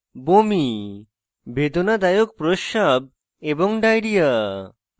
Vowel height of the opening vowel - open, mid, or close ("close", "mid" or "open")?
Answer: mid